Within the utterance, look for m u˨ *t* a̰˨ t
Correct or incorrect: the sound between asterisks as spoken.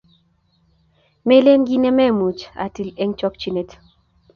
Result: incorrect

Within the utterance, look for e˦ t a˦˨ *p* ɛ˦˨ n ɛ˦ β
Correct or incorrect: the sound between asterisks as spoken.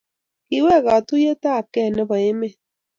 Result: incorrect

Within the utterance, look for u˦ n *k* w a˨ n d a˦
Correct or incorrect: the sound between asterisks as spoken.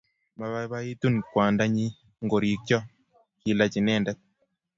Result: correct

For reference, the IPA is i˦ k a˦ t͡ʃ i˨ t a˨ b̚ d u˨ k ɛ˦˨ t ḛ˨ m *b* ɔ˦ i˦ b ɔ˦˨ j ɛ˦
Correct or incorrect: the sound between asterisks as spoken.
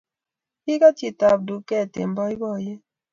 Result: correct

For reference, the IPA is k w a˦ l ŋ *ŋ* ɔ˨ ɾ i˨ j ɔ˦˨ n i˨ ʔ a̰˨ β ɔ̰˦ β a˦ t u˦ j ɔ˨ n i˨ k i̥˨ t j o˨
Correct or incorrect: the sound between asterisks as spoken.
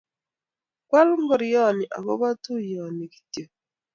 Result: incorrect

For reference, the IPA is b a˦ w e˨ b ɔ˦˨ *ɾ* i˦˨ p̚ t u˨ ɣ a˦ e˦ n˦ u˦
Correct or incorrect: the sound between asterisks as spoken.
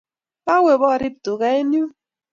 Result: correct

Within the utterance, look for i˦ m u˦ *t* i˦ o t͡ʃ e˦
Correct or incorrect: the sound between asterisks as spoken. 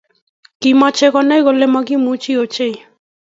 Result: incorrect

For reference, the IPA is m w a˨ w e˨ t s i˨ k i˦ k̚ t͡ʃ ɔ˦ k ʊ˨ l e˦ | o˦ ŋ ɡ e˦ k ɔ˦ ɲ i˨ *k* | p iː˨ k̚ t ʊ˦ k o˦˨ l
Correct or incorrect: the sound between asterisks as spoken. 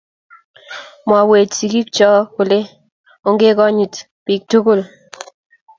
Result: incorrect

